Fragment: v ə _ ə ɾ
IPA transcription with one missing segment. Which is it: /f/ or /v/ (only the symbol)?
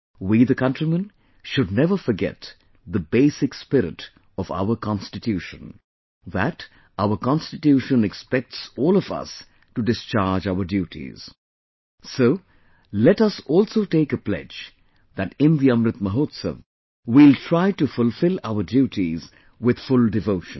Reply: f